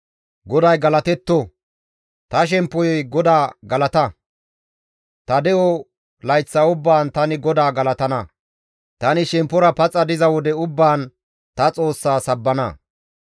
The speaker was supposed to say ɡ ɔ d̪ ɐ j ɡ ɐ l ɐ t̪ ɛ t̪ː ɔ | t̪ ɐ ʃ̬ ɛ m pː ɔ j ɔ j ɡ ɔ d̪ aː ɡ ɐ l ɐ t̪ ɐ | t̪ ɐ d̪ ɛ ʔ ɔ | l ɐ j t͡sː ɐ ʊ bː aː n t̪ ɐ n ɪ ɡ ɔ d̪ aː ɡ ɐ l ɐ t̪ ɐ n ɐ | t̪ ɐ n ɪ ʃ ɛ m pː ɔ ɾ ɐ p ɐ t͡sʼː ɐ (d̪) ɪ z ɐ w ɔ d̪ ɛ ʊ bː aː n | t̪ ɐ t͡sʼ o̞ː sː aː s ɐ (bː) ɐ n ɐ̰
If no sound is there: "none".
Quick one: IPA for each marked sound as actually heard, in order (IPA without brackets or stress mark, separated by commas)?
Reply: d̪, bː